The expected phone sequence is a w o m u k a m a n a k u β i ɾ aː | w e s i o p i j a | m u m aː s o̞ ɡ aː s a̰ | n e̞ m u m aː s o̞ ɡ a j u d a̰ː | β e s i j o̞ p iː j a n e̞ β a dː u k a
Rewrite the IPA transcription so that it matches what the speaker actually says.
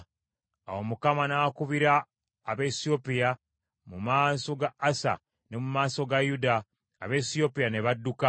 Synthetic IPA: a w o m u k a m a n a k u β i ɾ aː | β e s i o p i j a | m u m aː s o̞ ɡ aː s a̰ | n e̞ m u m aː s o̞ ɡ a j u d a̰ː | β e s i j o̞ p i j a n e̞ β a dː u k a

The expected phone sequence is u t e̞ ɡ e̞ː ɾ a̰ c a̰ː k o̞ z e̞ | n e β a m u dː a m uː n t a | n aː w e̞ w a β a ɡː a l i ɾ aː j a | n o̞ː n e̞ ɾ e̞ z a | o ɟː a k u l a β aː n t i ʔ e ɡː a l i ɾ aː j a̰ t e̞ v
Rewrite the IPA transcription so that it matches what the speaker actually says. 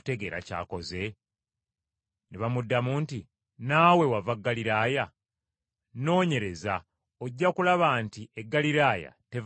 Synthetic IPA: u t e̞ ɡ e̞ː ɾ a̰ c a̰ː k o̞ z e̞ | n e β a m u dː a m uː n t i | n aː w e̞ w a v a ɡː a l i ɾ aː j a | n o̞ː ɲ e̞ ɾ e̞ z a | o ɟː a k u l a β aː n t i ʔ e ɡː a l i ɾ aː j a̰ t e̞ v

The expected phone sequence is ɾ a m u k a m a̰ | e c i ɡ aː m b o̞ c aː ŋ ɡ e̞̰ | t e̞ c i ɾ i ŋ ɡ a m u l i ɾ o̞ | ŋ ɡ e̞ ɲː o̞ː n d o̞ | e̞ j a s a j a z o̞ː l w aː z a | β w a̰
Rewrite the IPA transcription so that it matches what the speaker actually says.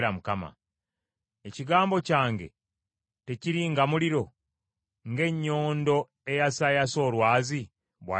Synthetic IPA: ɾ a m u k a m a̰ | e c i ɡ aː m b o̞ c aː ŋ ɡ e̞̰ | t e̞ c i ɾ i ŋ ɡ a m u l i ɾ o̞ | ŋ ɡ e̞ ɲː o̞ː n d o̞ | e̞ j a s a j a s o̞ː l w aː z i | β w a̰

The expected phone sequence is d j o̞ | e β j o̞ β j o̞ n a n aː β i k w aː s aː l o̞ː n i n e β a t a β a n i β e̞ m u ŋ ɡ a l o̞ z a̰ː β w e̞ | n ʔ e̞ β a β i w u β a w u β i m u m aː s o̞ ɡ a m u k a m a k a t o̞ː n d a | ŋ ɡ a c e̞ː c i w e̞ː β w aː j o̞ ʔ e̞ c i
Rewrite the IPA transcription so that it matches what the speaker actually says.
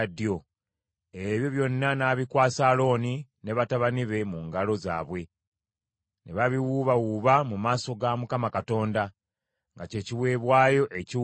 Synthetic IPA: d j o̞ | e β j o̞ β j o̞ nː a n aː β i k w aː s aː l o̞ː n i n e β a t a β a n i β e̞ m u ŋ ɡ a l o̞ z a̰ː β w e̞ | n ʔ e̞ β a β i w u β a w u β a m u m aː s o̞ ɡ a m u k a m a k a t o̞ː n d a | ŋ ɡ a c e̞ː c i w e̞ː β w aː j o̞ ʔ e̞ c i

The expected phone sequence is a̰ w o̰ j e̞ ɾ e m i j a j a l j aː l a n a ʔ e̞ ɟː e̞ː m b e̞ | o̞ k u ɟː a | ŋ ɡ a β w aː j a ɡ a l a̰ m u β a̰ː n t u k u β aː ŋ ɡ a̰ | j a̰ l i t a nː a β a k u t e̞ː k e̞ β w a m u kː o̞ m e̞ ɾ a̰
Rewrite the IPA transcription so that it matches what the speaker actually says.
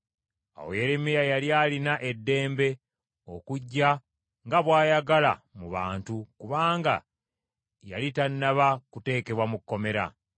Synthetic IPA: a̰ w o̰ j e̞ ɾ e m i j a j a l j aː l i n a ʔ e̞ dː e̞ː m b e̞ | o̞ k u ɟː a | ŋ ɡ a β w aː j a ɡ a l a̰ m u β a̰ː n t u k u β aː ŋ ɡ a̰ | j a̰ l i t a nː a β a k u t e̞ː k e̞ β w a m u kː o̞ m e̞ ɾ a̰

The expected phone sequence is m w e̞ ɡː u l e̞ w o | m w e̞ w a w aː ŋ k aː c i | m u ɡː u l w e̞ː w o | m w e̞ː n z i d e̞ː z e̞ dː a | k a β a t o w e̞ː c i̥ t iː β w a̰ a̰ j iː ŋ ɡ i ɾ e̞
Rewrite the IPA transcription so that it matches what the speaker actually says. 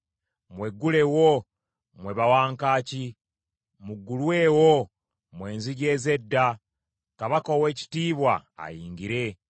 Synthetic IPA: m w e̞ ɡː u l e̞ w o | m w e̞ β a w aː ŋ k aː c i | m u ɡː u l w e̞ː w o | m w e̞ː n z i ɟ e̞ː z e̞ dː a | k a β a k o w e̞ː c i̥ t iː β w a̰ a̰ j iː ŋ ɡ i ɾ e̞

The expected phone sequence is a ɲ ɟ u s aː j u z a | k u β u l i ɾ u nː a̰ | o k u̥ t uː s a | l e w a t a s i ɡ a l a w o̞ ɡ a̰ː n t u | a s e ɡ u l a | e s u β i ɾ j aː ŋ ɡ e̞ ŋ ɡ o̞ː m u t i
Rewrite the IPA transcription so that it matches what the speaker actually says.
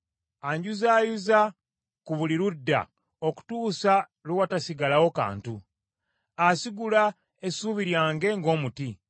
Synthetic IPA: a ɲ ɟ u z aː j u z a | k u β u l i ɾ u dː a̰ | o k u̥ t uː s a | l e w a t a s i ɡ a l a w o̞ k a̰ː n t u | a s i ɡ u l a | e s u β i ɾ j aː ŋ ɡ e̞ ŋ ɡ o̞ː m u t i

